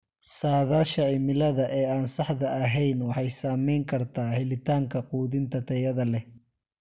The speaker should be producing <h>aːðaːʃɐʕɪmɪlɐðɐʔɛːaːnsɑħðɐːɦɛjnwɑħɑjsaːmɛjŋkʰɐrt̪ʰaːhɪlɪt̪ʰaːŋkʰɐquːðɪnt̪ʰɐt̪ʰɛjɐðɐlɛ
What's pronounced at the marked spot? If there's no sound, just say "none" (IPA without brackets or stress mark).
s